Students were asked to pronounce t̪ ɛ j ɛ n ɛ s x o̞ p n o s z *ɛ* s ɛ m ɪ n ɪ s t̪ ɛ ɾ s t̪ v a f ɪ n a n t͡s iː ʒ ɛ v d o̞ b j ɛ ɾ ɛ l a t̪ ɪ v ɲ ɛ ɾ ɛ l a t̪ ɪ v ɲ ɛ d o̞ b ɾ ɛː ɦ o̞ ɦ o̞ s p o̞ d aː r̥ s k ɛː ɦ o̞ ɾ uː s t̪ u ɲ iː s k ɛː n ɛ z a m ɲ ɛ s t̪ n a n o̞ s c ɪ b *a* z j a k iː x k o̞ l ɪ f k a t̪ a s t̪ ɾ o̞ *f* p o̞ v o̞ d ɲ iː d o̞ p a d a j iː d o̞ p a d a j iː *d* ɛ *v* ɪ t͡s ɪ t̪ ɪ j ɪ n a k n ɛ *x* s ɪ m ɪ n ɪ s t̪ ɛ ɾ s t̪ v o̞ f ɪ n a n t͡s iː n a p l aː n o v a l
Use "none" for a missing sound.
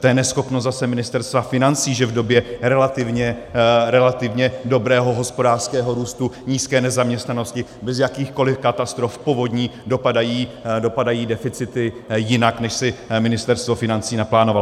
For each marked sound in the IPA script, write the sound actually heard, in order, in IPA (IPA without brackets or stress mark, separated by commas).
a, ɛ, f, d, f, ʃ